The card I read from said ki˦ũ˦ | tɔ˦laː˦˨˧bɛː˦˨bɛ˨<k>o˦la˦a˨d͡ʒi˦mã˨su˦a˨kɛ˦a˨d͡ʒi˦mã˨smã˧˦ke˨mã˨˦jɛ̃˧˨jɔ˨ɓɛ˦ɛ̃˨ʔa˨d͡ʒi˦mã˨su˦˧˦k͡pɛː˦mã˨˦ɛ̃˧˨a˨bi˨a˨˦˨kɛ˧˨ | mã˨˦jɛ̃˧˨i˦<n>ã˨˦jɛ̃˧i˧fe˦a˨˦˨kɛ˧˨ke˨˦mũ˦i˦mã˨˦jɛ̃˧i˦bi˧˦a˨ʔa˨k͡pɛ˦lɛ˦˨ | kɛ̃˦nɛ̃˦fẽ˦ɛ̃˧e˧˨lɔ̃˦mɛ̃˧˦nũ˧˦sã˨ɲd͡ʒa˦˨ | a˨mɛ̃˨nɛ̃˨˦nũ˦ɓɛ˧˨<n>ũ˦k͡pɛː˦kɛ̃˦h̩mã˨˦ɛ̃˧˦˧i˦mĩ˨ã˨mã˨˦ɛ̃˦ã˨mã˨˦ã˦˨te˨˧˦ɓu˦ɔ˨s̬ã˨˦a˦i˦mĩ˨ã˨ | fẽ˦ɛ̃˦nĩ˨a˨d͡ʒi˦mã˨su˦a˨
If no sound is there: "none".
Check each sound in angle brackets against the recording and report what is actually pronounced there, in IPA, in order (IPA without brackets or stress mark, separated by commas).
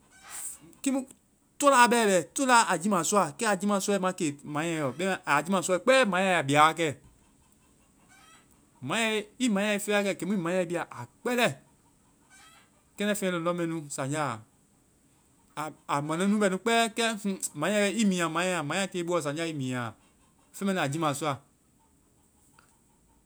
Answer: t, m, n